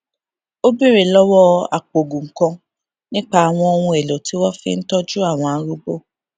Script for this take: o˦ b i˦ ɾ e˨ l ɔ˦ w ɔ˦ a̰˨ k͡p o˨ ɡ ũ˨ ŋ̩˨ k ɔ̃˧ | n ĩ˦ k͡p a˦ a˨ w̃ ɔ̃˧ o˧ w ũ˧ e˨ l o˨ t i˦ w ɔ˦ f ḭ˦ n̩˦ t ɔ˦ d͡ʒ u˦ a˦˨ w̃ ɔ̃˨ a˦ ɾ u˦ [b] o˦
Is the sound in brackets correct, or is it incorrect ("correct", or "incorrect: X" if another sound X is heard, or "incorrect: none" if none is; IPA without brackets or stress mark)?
correct